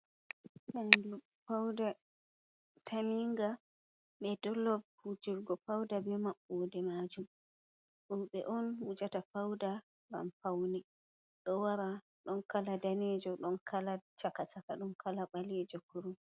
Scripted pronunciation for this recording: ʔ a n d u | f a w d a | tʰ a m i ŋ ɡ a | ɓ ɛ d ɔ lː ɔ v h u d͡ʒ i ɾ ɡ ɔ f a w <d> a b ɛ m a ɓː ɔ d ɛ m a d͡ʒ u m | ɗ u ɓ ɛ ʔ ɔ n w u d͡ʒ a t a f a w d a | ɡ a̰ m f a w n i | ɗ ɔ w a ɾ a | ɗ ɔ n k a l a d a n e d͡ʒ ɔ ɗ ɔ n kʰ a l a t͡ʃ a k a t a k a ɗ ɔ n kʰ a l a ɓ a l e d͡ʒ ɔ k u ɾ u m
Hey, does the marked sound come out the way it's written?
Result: yes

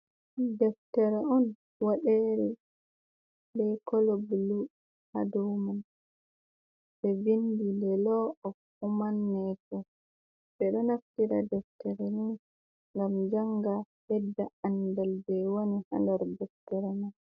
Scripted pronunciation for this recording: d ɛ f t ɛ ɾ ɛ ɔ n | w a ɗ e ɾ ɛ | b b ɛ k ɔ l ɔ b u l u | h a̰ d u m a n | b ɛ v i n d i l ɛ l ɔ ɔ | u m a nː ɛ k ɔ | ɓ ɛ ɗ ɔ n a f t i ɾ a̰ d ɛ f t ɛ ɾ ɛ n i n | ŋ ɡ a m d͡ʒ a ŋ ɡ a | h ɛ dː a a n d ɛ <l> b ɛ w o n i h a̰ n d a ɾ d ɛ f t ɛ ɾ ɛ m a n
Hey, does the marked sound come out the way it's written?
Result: yes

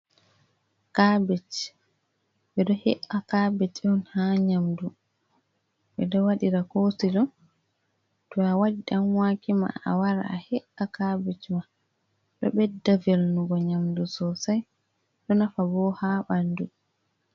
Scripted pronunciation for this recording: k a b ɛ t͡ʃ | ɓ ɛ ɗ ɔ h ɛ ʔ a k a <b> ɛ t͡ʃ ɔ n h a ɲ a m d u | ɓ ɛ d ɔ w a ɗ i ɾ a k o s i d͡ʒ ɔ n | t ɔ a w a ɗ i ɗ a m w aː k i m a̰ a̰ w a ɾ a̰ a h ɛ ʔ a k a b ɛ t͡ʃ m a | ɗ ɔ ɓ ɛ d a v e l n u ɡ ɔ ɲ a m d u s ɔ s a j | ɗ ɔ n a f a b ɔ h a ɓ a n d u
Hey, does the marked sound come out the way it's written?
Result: yes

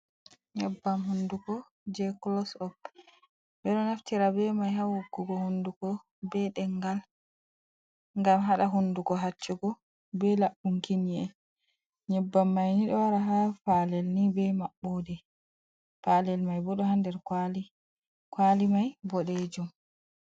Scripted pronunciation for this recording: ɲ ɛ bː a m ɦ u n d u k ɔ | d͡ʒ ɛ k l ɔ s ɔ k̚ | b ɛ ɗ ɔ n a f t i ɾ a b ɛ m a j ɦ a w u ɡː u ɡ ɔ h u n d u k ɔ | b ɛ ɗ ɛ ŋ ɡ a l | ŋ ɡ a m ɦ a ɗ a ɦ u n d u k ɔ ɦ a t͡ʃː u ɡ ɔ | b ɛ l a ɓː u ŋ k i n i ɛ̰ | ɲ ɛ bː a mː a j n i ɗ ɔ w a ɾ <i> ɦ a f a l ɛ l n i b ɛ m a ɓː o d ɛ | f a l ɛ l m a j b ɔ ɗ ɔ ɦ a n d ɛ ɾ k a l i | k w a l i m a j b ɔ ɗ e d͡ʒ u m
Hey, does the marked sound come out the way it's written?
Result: no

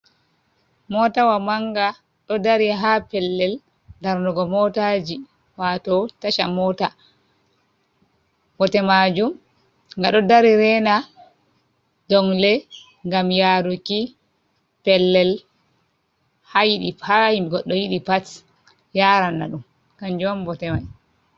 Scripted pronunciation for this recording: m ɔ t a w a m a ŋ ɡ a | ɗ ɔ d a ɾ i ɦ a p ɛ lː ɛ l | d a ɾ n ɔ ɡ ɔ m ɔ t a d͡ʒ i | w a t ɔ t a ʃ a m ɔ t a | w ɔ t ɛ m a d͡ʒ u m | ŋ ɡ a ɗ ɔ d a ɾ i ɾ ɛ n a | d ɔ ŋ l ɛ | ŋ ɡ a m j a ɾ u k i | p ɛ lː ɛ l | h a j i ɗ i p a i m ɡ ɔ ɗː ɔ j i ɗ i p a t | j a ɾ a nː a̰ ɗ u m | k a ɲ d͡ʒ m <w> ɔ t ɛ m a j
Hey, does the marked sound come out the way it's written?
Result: no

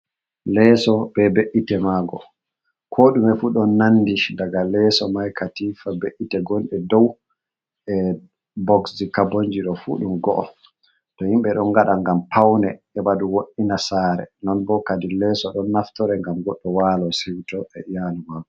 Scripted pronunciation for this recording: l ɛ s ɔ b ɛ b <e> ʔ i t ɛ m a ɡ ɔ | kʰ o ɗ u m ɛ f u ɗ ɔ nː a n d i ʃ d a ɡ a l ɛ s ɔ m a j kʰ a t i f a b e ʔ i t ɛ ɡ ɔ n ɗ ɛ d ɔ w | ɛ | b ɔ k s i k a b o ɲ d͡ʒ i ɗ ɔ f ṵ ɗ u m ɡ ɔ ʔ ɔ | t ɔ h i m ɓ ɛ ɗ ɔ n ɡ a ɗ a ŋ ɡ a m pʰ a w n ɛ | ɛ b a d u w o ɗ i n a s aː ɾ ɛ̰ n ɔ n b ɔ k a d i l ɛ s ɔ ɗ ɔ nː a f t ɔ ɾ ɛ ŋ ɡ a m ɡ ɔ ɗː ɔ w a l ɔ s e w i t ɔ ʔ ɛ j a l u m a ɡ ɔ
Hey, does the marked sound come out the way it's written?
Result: yes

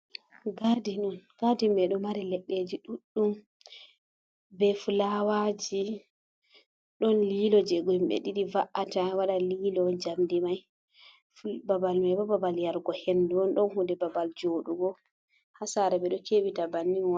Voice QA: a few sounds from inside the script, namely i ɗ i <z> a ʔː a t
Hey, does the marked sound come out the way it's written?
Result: no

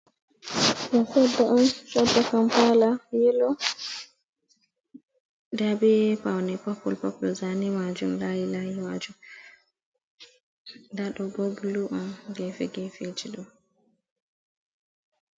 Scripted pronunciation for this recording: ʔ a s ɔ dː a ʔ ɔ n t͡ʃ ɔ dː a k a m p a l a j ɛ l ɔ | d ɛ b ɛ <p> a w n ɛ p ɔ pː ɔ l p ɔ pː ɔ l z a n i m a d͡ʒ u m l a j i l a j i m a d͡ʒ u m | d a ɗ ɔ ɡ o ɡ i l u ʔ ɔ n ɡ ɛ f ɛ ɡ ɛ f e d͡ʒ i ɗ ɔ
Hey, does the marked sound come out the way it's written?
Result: yes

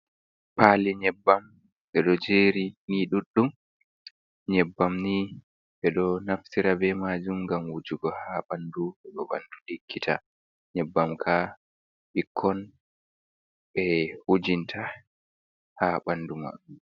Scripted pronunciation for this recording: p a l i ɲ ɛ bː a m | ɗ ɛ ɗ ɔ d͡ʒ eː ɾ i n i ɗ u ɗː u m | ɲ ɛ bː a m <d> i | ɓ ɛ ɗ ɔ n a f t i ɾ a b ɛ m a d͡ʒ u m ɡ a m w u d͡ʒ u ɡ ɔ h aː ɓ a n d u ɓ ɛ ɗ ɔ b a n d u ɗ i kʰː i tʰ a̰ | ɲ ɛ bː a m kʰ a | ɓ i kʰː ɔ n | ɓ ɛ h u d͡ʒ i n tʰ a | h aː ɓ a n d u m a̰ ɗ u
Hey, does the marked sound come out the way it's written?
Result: no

